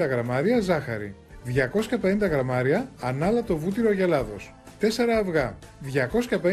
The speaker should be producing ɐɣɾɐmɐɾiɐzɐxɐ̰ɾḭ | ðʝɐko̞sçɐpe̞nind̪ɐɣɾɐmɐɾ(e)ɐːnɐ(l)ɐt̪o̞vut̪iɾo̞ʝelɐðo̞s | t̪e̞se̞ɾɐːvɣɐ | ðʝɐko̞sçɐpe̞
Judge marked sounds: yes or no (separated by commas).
no, yes